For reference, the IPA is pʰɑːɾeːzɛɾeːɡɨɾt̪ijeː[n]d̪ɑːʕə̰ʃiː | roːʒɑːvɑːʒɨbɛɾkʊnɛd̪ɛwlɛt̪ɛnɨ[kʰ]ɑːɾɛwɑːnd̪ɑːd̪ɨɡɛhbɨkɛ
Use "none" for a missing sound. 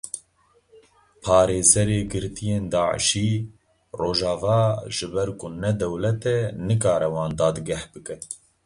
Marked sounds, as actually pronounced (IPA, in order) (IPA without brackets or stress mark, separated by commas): n, k